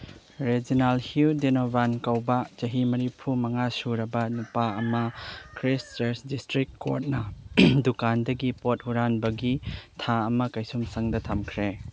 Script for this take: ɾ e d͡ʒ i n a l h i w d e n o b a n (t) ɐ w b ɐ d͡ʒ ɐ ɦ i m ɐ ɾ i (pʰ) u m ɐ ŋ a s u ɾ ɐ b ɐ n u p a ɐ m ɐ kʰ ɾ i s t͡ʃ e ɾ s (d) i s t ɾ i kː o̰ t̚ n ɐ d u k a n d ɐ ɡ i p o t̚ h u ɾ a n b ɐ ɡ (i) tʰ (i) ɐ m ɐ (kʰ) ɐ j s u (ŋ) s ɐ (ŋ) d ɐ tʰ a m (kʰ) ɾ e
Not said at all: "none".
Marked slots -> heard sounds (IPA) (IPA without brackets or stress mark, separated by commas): k, pʰ, d, i, a, k, m, ŋ, kʰ